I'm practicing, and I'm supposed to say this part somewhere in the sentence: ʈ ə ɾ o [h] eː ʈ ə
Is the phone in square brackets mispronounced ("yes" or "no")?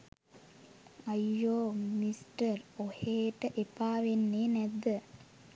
no